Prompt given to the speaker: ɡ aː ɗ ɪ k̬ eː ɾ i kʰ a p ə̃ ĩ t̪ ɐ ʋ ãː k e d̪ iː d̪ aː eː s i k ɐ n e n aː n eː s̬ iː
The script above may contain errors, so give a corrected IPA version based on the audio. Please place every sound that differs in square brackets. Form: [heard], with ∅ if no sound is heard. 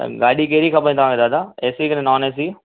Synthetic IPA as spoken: ɡ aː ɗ [i] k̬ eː ɾ i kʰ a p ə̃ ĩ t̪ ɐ ʋ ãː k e d̪ [aː] d̪ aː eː s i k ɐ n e n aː n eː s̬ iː